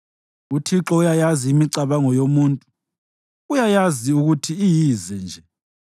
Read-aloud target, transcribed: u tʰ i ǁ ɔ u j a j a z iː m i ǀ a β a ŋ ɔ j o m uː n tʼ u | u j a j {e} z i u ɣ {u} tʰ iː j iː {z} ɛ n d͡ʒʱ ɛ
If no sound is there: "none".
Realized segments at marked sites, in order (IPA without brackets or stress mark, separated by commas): a, u, z